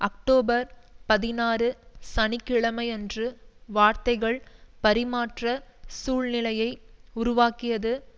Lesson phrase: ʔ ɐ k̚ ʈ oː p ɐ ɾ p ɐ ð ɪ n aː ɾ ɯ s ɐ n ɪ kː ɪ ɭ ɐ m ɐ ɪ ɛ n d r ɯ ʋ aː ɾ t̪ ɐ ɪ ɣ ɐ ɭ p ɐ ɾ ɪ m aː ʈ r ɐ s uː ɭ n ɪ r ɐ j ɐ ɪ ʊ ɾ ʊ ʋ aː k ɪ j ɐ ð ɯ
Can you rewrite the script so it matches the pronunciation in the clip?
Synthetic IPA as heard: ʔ ɐ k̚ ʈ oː b ɐ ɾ p ɐ ð ɪ n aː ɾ ɯ s ɐ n ɪ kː ɪ ɭ ɐ m ɐ ɪ ɛ n d r ɯ ʋ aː ɾ t̪ ɐ ɪ ɣ ɐ ɭ p ɐ ɾ ɪ m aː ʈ r ɐ s uː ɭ n ɪ l ɐ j ɐ ɪ ʊ ɾ ʊ ʋ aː k ɪ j ɐ ð ɯ

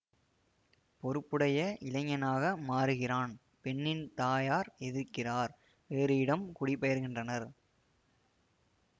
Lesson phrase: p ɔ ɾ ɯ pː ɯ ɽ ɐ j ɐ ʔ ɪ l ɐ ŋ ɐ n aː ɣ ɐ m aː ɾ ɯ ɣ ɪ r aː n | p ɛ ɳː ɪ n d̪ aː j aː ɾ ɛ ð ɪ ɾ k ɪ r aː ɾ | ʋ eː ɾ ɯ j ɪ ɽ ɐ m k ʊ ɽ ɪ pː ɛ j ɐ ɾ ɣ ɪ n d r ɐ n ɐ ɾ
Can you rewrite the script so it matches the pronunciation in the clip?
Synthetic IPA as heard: p ɔ ɾ ɯ pː ɯ ɽ ɐ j ɐ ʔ ɪ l ɐ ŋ ɐ n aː ɣ ɐ m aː ɾ ɯ ɣ ɪ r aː n | p ɛ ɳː ɪ n t̪ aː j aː ɾ ɛ ð ɪ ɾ k ɪ r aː ɾ | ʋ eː ɾ ɯ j ɪ ɽ ɐ m k ʊ ɽ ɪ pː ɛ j ɐ ɾ ɣ ɪ n d r ɐ n ɐ ɾ

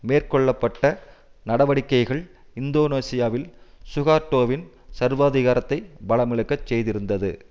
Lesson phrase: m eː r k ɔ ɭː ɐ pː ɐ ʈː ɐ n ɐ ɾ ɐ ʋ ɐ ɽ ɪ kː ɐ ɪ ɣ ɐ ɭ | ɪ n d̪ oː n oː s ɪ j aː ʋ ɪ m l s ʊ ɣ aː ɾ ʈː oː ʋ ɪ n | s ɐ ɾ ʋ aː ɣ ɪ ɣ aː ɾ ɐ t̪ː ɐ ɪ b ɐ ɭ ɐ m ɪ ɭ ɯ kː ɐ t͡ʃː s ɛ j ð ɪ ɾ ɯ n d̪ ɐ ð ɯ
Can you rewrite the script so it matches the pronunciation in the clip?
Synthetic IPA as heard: m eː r k ɔ ɭː ɐ pː ɐ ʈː ɐ n ɐ ɽ ɐ ʋ ɐ ɽ ɪ kː ɐ ɪ ɣ ɐ ɭ | ɪ n d̪ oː n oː s ɪ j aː ʋ ɪ l s ʊ ɣ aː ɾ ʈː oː ʋ ɪ n | s ɐ ɾ ʋ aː ð ɪ ɣ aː ɾ ɐ t̪ː ɐ ɪ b ɐ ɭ ɐ m ɪ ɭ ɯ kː ɐ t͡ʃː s ɛ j ð ɪ ɾ ɯ n d̪ ɐ ð ɯ

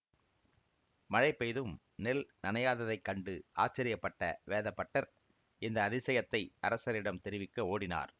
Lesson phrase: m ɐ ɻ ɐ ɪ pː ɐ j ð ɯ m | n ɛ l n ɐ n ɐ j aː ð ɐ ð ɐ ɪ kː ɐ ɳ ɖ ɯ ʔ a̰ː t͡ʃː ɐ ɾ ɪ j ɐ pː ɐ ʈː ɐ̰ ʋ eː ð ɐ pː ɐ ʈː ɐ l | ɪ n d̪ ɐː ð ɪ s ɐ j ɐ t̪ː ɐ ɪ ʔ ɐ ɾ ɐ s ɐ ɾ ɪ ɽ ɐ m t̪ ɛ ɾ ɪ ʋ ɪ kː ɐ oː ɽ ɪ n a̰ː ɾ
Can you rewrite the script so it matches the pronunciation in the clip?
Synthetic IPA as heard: m ɐ ɻ ɐ ɪ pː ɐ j ð ɯ m | n ɛ l n ɐ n ɐ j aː ð ɐ ð ɐ ɪ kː ɐ ɳ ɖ ɯ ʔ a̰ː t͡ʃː ɐ ɾ ɪ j ɐ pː ɐ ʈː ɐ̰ ʋ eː ð ɐ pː ɐ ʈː ɐ ɾ | ɪ n d̪ ɐː ð ɪ s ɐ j ɐ t̪ː ɐ ɪ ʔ ɐ ɾ ɐ s ɐ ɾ ɪ ɽ ɐ m t̪ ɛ ɾ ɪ ʋ ɪ kː ɐ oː ɽ ɪ n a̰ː ɾ

